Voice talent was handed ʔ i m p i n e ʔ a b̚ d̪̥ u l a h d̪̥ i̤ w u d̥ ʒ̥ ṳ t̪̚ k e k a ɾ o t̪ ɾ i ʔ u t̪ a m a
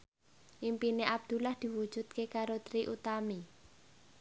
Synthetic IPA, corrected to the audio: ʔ i m p i n e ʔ a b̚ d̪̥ u l a h d̪̥ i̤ w u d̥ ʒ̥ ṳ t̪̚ k e k a ɾ o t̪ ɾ i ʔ u t̪ a m i